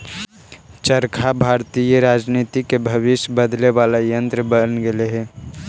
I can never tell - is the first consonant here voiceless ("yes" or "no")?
yes